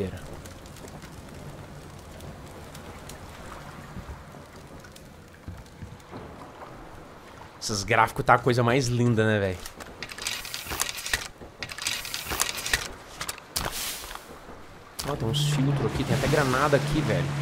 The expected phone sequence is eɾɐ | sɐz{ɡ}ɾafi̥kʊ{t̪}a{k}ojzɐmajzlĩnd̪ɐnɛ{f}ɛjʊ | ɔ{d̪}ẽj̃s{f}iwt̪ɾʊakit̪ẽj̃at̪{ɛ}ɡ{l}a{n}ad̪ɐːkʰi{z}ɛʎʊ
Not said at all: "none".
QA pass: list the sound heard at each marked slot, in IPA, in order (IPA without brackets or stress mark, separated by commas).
ɡ, t̪, k, v, t̪, f, ɛ, ɾ, n, v